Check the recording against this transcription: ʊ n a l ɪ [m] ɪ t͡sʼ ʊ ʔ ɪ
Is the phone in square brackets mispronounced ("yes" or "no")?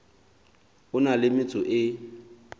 no